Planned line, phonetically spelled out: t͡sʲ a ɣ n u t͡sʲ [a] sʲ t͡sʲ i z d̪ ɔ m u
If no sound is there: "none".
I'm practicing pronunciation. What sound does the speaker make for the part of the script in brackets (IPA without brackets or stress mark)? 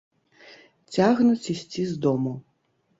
i